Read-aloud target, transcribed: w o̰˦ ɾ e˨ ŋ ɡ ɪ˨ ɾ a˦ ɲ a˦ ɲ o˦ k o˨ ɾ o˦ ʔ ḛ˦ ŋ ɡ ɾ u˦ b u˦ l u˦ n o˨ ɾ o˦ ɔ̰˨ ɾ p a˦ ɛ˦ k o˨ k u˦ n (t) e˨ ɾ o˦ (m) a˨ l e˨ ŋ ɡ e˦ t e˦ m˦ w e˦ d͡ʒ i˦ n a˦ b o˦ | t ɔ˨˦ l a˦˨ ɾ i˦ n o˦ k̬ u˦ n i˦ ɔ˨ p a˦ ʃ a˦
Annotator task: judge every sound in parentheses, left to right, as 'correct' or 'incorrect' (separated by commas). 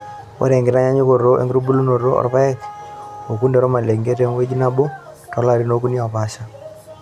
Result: incorrect, correct